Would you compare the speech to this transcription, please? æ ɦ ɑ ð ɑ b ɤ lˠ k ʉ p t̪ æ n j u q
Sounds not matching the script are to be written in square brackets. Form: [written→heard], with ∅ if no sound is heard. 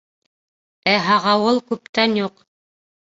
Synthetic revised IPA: æ ɦ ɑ [ð→ʁ] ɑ [b→w] ɤ lˠ k ʉ p t̪ æ n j u q